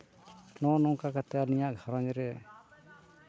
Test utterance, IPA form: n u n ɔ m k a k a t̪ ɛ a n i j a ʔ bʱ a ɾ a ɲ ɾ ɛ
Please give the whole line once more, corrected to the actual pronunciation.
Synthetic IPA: n ɔ n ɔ ŋ k a k a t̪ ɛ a n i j a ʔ ɡʱ a ɾ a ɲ ɾ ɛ